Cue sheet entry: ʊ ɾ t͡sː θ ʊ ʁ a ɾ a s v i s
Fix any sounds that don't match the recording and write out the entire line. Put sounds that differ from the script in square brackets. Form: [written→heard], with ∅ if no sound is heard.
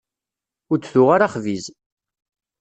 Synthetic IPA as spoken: ʊ ɾ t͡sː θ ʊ ʁ a ɾ a [s→χ] v i [s→z]